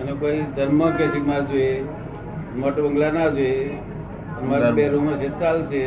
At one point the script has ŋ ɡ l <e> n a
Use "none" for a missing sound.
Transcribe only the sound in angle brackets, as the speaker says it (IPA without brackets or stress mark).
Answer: a